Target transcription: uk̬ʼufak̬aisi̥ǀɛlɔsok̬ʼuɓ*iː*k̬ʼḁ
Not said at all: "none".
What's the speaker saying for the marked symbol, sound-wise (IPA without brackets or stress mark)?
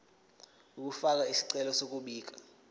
iː